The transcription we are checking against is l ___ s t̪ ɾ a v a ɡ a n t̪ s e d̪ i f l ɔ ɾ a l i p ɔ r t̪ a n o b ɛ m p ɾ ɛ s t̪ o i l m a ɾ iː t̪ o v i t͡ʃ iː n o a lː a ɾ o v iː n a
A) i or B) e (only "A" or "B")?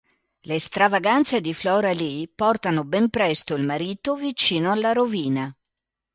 B